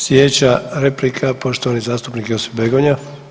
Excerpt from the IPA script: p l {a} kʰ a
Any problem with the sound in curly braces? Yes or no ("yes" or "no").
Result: yes